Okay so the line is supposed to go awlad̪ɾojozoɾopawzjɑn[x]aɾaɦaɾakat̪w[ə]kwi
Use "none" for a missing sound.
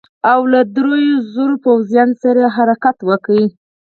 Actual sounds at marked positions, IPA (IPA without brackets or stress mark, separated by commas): s, ə